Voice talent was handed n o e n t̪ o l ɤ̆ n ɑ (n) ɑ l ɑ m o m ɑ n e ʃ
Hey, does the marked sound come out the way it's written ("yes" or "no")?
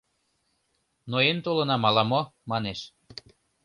no